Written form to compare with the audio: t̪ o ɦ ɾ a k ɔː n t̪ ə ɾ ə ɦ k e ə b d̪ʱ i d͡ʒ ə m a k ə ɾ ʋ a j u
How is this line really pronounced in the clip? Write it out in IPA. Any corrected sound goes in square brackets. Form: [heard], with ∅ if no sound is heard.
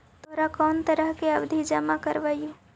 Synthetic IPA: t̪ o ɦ ɾ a k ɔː n t̪ ə ɾ ə ɦ k e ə b d̪ʱ i d͡ʒ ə m a k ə ɾ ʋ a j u